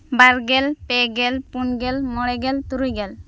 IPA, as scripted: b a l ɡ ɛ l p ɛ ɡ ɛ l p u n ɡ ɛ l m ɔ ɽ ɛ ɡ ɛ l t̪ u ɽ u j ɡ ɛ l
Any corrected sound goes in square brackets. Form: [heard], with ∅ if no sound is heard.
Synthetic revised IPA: b a [ɾ] ɡ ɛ l p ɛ ɡ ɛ l p u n ɡ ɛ l m ɔ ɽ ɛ ɡ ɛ l t̪ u [ɾ] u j ɡ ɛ l